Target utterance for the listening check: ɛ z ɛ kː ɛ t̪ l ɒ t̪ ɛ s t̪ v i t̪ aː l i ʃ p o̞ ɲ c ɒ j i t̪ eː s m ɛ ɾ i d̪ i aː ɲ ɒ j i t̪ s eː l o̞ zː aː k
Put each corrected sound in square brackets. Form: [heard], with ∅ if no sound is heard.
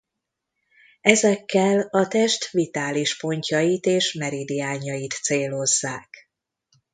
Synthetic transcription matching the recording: ɛ z ɛ kː ɛ [∅] l ɒ t̪ ɛ [ʃ] t̪ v i t̪ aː l i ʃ p o̞ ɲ c ɒ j i t̪ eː [ʃ] m ɛ ɾ i d̪ i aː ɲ ɒ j i t̪ s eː l o̞ zː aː k